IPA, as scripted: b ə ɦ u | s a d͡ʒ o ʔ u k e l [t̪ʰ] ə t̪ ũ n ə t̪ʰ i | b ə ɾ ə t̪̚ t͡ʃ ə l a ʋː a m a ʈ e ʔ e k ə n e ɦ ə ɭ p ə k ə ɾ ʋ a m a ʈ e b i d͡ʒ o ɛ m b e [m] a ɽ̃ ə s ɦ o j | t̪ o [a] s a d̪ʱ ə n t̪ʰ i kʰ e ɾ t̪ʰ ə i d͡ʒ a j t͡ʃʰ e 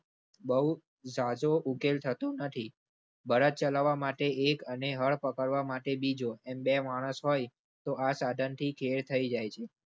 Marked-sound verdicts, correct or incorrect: correct, correct, correct

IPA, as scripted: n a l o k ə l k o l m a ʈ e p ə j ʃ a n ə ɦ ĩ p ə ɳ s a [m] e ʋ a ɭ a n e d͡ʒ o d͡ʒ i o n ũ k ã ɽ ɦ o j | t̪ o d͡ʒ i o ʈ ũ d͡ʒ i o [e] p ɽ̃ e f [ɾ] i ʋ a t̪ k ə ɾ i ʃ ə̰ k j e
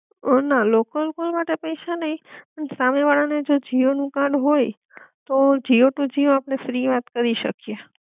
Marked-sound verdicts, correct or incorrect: correct, incorrect, correct

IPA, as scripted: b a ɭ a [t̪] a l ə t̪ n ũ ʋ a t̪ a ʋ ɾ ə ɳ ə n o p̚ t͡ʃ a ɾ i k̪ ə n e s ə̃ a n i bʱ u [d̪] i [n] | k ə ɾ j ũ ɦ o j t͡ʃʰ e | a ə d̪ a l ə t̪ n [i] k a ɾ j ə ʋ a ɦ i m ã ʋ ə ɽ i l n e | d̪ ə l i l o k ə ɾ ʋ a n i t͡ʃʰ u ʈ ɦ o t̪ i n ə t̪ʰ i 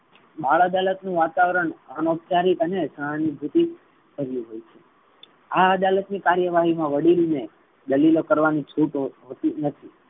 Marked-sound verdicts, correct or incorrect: incorrect, incorrect, incorrect, correct

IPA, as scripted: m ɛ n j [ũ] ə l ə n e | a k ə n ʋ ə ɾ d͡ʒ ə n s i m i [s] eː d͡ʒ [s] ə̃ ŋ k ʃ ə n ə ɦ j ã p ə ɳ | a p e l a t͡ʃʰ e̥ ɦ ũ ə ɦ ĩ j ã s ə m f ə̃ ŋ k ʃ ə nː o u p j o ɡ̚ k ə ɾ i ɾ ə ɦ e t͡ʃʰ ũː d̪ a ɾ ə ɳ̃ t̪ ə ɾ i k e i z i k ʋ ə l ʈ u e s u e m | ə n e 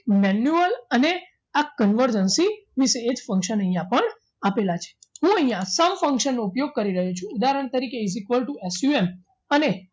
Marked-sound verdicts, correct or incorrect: incorrect, correct, incorrect

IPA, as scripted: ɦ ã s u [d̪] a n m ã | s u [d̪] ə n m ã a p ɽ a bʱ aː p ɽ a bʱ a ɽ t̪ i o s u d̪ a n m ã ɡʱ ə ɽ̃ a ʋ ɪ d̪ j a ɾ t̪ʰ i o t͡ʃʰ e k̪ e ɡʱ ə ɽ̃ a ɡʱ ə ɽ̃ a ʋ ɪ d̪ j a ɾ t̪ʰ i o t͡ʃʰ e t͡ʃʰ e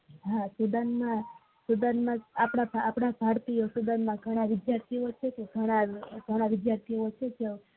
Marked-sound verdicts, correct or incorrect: correct, correct

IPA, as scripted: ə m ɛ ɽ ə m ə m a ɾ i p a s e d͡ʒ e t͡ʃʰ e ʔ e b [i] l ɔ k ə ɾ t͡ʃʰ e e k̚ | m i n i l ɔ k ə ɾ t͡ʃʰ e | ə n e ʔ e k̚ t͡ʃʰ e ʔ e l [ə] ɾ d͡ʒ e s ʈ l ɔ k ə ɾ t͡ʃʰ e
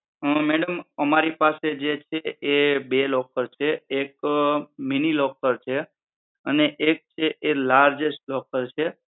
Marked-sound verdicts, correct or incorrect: incorrect, incorrect

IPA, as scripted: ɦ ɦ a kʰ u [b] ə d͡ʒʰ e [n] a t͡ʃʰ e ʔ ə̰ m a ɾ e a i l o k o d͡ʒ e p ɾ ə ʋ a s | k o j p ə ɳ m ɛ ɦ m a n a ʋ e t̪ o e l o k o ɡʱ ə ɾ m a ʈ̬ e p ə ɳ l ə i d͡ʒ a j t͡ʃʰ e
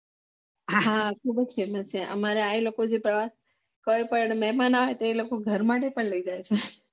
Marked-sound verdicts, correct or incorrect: correct, incorrect

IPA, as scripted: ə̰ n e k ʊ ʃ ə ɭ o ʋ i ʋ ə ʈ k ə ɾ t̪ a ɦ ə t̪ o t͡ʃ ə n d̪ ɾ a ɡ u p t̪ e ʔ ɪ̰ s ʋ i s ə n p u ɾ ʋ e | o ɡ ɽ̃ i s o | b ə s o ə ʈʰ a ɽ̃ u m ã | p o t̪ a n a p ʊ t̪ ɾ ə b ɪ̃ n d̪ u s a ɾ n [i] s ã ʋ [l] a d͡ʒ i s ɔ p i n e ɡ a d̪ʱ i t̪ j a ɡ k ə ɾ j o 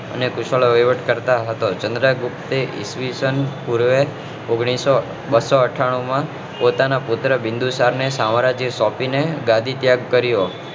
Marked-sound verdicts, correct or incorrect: incorrect, incorrect

